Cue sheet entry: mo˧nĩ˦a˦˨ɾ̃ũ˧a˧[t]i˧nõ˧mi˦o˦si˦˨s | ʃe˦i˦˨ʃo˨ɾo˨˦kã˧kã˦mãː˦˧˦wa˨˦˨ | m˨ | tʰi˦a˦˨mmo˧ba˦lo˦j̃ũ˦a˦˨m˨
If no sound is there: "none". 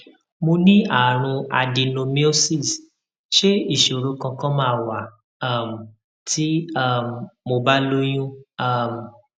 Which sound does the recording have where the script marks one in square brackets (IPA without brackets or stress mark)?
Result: d